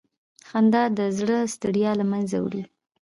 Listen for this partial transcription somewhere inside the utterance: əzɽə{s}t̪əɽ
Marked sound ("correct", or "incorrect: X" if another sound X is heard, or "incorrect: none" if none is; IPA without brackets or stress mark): correct